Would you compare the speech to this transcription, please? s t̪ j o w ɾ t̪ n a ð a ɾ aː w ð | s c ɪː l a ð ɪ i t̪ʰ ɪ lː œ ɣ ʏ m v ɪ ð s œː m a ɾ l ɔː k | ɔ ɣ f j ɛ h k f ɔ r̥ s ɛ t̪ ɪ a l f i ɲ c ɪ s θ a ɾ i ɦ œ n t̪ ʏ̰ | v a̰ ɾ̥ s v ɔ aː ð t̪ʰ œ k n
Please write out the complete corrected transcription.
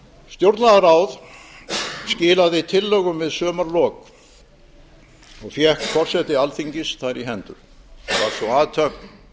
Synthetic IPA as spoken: s t̪ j o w ɾ t̪ n a ð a ɾ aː w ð | s c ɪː l a ð ɪ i t̪ʰ ɪ lː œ ɣ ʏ m v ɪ ð s œː m a ɾ l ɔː k | ɔ ɣ f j ɛ h k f ɔ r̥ s ɛ t̪ ɪ a l θ i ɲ c ɪ s θ a ɾ i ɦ ɛ n t̪ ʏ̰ | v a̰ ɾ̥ s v ɔ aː ð t̪ʰ œ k n